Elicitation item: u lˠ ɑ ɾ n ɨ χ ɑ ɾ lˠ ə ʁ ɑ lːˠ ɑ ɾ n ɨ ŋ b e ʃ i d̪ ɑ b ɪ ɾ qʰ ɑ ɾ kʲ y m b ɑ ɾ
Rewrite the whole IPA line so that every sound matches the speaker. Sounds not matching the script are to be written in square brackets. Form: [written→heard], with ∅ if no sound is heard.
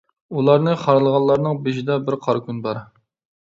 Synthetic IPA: u lˠ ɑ ɾ n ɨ χ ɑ ɾ lˠ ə ʁ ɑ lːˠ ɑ ɾ n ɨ ŋ b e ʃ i d̪ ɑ b ɪ ɾ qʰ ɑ ɾ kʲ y [m→n] b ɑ ɾ